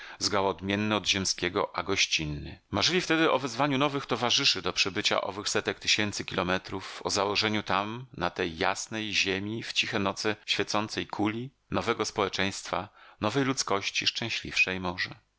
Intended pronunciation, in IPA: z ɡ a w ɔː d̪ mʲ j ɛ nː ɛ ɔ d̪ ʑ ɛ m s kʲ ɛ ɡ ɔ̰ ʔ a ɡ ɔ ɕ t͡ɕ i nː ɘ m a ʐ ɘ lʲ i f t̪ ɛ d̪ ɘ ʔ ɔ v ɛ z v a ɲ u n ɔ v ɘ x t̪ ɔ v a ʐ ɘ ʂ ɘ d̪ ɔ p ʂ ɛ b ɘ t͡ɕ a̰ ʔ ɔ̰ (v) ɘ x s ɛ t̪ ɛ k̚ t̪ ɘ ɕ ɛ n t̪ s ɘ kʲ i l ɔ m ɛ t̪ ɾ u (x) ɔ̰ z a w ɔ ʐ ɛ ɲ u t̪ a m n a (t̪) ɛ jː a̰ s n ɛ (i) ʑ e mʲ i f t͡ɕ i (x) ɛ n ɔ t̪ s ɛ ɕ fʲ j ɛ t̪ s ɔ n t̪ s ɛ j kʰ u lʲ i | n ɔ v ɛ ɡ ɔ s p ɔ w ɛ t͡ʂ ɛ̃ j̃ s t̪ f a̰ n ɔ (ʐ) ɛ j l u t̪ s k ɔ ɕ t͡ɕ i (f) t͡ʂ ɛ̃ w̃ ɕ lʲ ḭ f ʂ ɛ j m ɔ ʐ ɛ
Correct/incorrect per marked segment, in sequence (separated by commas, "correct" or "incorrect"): correct, incorrect, correct, incorrect, correct, incorrect, incorrect